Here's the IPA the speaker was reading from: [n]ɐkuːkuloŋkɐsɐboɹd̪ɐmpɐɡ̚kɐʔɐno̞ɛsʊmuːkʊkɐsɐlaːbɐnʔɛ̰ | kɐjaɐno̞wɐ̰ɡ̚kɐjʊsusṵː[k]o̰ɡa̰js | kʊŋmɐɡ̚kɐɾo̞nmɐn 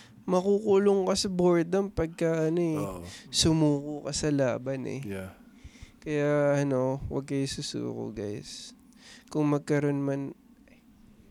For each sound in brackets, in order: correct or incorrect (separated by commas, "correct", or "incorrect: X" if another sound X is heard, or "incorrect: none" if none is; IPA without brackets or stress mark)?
incorrect: m, correct